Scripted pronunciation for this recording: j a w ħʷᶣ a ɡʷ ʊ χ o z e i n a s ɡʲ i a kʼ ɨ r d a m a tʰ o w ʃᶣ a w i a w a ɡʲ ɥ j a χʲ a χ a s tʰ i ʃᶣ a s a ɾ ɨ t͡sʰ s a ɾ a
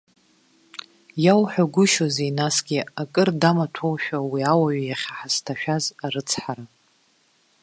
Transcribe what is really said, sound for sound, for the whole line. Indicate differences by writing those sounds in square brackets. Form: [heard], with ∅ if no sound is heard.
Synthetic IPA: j a w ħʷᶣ a ɡʷ ʊ [ʃ] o z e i n a s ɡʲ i a kʼ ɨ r d a m a tʰ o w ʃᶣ a w i a w a [∅] ɥ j a χʲ a [ħ] a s tʰ [a] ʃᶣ a [z] a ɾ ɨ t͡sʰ [ħ] a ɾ a